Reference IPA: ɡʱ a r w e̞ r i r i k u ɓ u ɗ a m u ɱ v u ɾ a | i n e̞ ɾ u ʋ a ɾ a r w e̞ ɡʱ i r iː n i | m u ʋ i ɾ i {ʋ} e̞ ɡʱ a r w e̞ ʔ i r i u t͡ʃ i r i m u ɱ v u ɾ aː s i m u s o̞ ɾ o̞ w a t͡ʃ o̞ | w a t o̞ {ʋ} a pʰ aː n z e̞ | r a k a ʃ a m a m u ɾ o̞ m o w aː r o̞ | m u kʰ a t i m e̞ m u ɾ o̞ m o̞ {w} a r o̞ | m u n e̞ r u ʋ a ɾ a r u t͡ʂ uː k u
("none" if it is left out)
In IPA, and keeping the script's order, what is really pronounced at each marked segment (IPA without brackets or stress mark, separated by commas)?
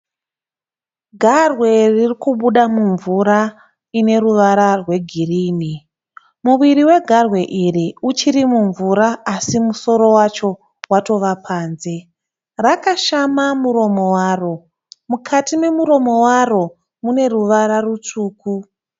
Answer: w, ʋ, w